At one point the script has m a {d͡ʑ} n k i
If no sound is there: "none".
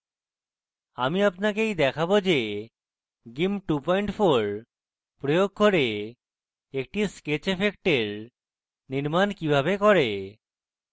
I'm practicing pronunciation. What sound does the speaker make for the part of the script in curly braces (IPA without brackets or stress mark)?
none